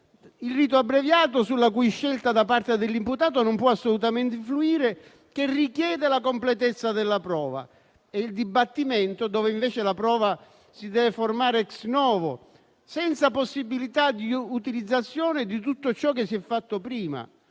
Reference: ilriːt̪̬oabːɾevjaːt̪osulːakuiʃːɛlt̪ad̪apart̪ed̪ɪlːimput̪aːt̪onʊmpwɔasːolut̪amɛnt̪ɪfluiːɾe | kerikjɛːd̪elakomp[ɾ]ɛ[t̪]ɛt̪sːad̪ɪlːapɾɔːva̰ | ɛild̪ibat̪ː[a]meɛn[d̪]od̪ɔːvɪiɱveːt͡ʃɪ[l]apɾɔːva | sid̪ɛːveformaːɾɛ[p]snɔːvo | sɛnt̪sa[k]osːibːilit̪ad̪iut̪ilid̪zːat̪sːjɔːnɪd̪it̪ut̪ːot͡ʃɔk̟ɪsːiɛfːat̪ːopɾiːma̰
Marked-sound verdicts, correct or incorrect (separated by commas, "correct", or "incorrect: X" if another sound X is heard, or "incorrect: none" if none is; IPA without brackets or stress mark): incorrect: l, correct, incorrect: i, incorrect: t̪, correct, incorrect: k, incorrect: p